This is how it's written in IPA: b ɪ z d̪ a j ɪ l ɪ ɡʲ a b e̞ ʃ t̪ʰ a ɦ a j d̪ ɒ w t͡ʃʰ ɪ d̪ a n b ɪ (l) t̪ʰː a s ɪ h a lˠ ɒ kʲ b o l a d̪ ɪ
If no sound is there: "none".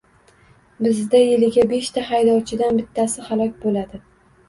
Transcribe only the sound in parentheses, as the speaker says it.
none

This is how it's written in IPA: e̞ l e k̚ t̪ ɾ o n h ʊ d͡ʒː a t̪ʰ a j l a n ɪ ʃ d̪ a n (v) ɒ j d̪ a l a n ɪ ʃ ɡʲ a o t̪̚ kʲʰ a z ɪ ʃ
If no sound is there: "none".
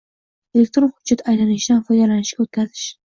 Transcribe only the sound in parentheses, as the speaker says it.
f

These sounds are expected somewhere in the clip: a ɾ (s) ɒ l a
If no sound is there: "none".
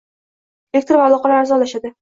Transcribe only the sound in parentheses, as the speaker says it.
z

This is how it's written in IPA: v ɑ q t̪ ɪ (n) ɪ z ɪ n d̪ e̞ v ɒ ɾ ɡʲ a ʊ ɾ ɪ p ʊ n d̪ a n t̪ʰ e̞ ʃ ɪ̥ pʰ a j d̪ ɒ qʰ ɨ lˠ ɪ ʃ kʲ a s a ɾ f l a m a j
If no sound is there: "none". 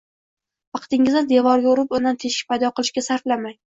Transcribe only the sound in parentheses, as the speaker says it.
ŋ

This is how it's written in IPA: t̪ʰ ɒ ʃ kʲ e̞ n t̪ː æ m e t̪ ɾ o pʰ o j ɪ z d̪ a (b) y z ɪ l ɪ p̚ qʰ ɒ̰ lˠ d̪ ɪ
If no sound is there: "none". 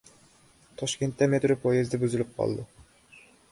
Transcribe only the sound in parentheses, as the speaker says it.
b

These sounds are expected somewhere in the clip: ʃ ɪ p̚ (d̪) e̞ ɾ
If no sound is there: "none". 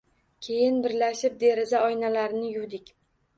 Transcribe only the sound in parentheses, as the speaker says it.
d̪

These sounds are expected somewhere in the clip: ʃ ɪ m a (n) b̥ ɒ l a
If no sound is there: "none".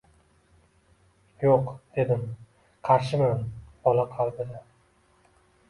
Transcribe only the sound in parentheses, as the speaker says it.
n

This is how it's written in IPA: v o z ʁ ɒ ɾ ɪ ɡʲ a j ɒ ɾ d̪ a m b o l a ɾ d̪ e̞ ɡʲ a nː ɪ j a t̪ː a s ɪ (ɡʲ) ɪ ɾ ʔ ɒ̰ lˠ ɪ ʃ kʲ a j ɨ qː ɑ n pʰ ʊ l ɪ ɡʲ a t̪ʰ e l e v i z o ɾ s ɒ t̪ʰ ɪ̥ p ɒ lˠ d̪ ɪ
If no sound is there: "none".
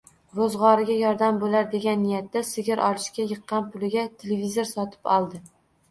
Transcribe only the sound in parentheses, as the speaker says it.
ɡʲ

